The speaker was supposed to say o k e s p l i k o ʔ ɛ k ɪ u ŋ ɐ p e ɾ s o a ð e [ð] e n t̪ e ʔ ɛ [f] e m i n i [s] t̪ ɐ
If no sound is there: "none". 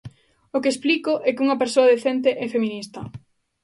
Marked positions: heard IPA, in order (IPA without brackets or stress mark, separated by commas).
θ, f, s